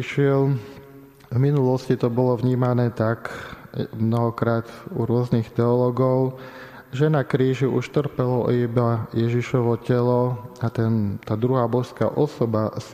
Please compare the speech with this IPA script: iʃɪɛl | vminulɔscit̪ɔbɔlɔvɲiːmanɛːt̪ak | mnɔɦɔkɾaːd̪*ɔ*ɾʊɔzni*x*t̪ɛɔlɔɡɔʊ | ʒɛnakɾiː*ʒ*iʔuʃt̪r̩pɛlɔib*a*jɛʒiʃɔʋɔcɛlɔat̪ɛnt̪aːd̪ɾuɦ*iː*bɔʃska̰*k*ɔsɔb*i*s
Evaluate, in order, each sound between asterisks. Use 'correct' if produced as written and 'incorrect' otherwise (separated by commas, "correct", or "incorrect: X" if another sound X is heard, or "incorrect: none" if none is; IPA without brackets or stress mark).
incorrect: u, correct, correct, correct, incorrect: aː, incorrect: ʔ, incorrect: a